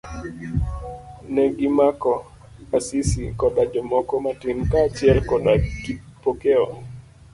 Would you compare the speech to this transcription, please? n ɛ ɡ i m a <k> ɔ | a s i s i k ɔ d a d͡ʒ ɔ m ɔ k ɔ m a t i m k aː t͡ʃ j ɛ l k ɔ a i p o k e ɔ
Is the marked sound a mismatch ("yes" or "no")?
no